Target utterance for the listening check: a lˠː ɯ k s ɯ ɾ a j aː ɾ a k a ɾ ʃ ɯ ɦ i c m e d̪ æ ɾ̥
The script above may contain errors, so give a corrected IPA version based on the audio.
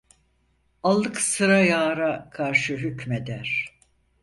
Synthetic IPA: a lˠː ɯ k s ɯ ɾ a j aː ɾ a kʰ a ɾ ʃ ɯ ɦ y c m e d̪ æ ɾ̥